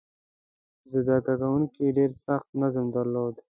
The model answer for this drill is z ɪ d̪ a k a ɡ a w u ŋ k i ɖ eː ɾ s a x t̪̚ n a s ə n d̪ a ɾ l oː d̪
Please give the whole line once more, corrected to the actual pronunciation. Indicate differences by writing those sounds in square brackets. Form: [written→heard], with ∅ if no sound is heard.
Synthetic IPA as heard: z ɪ d̪ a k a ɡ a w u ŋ k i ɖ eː ɾ s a x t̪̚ n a [s→z] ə [n→m] d̪ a ɾ l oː d̪